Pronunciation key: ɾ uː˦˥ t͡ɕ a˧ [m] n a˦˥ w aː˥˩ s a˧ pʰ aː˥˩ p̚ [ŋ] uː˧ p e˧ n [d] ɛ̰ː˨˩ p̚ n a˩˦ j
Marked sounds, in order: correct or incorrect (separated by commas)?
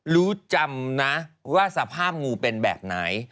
correct, correct, incorrect